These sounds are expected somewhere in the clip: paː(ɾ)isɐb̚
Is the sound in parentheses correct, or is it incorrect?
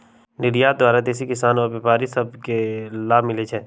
correct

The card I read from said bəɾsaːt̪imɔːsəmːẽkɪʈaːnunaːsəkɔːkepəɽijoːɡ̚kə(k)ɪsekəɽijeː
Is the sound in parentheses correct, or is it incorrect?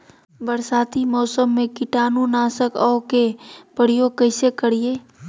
incorrect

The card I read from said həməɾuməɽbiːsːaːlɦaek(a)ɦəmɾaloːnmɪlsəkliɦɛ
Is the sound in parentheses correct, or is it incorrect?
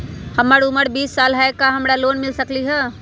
correct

